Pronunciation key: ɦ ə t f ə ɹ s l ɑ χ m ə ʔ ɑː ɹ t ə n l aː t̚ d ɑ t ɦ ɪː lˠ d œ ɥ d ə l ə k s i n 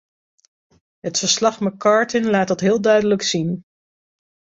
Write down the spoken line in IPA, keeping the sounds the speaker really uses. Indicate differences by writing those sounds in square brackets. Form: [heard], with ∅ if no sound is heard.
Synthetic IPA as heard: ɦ ə t f ə ɹ s l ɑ χ m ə [k] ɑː ɹ t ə n l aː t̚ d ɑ t ɦ ɪː lˠ d œ ɥ d ə l ə k s i n